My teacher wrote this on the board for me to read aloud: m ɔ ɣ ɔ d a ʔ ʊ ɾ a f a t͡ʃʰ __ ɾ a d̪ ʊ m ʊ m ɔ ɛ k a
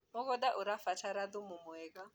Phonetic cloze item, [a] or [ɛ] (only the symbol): a